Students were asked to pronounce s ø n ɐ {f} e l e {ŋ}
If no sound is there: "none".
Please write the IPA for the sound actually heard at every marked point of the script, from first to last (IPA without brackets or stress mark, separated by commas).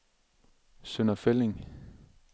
f, ŋ